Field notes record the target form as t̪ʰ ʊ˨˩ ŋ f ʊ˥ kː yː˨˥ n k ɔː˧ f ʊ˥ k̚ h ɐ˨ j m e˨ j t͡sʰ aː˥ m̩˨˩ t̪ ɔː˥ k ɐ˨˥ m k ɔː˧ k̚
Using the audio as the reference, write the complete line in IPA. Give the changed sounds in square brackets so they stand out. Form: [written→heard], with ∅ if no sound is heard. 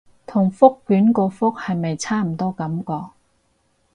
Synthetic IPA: t̪ʰ ʊ˨˩ ŋ f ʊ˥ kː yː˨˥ n k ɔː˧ f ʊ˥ k̚ h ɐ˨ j m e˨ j t͡sʰ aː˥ m̩˨˩ t̪ ɔː˥ k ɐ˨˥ m k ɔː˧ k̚